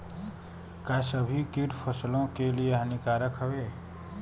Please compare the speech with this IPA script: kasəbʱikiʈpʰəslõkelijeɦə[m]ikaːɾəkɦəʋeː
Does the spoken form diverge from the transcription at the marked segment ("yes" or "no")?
yes